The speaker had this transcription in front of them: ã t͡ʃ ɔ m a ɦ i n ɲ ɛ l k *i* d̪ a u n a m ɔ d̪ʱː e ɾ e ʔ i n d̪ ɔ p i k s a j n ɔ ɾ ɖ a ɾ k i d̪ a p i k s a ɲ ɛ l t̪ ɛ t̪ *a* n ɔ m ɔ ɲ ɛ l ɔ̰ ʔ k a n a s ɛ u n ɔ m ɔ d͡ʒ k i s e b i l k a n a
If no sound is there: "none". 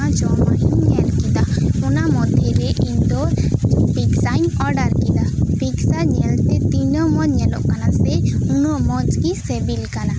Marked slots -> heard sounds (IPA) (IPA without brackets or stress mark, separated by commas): i, i